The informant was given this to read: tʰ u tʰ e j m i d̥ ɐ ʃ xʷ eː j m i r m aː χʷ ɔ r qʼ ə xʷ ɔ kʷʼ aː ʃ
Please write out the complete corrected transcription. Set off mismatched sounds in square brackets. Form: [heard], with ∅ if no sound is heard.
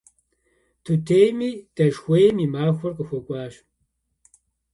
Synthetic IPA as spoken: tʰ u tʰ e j m i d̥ ɐ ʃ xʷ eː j m i [∅] m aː [xʷ] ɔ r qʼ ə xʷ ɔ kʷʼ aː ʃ